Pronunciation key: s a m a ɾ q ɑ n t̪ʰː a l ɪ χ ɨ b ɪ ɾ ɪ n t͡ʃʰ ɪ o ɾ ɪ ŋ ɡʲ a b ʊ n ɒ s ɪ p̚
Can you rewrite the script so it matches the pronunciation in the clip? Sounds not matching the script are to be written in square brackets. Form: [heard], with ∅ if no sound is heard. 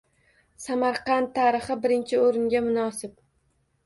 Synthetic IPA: s a m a ɾ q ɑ n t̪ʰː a [ɾ] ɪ χ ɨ b ɪ ɾ ɪ n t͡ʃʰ ɪ o ɾ ɪ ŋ ɡʲ a [m] ʊ n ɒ s ɪ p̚